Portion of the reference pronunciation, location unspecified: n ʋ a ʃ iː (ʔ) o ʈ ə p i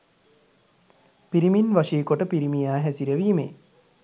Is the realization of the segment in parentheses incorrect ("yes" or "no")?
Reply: yes